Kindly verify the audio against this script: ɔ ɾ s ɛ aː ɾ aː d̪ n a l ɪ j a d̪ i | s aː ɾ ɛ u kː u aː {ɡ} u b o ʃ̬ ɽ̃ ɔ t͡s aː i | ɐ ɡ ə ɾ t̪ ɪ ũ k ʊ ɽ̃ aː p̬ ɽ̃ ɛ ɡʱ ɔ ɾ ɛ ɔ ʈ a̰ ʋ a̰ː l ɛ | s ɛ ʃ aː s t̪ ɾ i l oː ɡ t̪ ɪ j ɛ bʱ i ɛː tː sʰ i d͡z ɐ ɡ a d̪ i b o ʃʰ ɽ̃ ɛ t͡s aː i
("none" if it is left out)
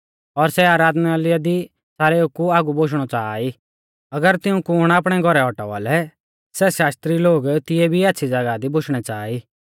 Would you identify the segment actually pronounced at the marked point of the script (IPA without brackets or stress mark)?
ɡ